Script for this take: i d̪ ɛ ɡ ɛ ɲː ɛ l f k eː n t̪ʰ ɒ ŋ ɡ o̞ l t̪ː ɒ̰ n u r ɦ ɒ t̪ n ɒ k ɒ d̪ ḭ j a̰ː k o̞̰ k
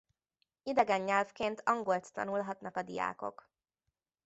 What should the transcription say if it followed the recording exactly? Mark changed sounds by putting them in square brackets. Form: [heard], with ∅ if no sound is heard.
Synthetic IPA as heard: i d̪ ɛ ɡ ɛ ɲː ɛ l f k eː n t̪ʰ ɒ ŋ ɡ o̞ l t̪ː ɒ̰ n u [l] ɦ ɒ t̪ n ɒ k ɒ d̪ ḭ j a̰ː k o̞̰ k